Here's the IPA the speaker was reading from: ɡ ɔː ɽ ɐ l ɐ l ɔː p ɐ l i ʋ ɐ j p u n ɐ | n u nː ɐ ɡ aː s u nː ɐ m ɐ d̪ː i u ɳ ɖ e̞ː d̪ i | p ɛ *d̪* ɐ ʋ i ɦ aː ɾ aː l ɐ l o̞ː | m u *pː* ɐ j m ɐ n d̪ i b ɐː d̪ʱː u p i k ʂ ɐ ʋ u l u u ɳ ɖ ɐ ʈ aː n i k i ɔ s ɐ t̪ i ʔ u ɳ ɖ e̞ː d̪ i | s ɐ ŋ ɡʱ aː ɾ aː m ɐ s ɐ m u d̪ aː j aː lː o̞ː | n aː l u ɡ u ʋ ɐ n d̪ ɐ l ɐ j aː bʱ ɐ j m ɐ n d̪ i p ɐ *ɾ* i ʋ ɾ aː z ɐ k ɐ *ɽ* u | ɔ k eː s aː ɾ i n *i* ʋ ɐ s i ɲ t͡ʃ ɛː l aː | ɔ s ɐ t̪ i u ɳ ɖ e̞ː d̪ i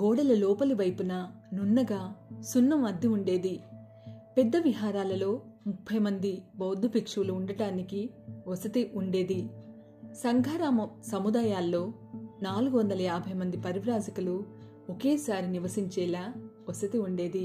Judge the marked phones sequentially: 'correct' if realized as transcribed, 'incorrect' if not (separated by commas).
incorrect, incorrect, correct, incorrect, correct